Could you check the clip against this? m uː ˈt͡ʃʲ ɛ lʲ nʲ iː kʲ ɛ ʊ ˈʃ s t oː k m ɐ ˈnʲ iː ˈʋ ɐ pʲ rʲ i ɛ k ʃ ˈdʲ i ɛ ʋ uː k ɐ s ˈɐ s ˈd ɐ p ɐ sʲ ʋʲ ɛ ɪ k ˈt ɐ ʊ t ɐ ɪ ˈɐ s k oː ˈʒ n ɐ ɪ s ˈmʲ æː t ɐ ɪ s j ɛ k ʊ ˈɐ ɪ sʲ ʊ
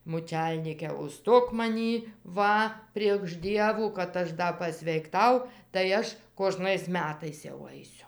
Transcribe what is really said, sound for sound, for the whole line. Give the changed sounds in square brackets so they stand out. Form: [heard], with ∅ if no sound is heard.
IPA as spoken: m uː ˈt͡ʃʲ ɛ lʲ nʲ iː kʲ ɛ ʊ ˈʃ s t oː k m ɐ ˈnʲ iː ˈʋ ɐ pʲ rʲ i ɛ k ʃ ˈdʲ i ɛ ʋ uː k ɐ [t] ˈɐ [ʃ] ˈd ɐ p ɐ sʲ ʋʲ ɛ ɪ k ˈt ɐ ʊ t ɐ ɪ ˈɐ [ʃ] k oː ˈʒ n ɐ ɪ s ˈmʲ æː t ɐ ɪ s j ɛ [∅] ʊ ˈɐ ɪ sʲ ʊ